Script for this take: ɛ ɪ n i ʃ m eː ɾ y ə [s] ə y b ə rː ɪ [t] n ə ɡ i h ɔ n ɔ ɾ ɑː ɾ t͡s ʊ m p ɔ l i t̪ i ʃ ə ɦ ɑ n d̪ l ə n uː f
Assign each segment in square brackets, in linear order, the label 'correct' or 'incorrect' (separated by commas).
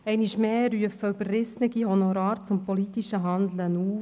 incorrect, incorrect